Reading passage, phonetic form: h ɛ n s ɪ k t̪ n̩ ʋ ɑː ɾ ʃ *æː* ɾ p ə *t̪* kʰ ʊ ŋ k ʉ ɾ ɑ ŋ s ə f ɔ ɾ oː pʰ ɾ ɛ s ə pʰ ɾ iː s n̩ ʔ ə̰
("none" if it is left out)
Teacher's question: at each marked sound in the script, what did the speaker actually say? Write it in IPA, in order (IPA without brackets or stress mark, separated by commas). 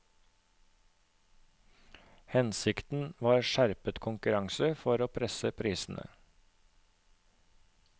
æ, t̪